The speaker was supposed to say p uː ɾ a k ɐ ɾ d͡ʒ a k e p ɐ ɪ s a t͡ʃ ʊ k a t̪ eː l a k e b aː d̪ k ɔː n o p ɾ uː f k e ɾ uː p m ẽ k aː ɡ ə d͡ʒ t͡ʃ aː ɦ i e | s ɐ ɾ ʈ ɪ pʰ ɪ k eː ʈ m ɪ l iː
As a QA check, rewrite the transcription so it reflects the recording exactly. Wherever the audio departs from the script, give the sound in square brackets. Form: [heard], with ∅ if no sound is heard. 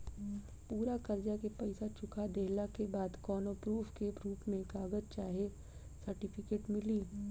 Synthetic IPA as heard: p uː ɾ a k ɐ ɾ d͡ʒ a k e p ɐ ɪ s a t͡ʃ ʊ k a [d̪] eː l a k e b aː d̪ k ɔː n o p ɾ uː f k e ɾ uː p m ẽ k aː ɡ ə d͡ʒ t͡ʃ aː ɦ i e | s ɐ ɾ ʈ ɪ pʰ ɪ k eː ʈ m ɪ l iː